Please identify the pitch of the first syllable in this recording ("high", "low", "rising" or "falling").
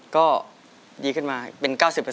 falling